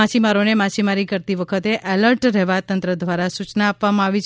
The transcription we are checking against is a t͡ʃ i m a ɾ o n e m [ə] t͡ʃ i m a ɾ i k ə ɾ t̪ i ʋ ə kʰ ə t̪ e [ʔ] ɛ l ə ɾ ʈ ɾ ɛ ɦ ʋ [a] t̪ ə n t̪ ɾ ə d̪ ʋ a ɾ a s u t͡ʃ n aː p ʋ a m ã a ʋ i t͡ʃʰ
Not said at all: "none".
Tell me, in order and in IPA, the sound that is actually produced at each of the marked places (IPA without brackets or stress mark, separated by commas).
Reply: a, ʔ, a